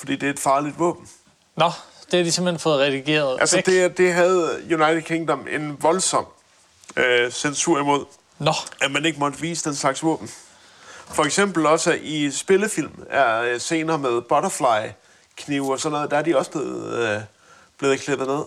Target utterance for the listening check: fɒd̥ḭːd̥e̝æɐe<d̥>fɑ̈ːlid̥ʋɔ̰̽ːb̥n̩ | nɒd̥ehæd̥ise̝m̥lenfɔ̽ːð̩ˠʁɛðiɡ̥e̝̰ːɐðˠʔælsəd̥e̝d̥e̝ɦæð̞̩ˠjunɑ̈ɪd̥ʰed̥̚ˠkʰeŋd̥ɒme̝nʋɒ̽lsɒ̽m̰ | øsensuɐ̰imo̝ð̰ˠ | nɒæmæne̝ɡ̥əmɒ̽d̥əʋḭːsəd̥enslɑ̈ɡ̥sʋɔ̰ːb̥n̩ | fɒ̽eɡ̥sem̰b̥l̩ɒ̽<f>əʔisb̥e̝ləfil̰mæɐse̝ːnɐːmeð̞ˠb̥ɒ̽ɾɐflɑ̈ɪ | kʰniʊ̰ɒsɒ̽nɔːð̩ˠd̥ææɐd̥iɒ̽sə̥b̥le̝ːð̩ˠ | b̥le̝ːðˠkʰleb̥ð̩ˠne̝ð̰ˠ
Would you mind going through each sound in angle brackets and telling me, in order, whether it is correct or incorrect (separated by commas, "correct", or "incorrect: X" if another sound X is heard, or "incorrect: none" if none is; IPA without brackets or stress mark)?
correct, incorrect: s